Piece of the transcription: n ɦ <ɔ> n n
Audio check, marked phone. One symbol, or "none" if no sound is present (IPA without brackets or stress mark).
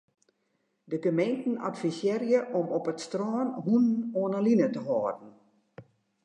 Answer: u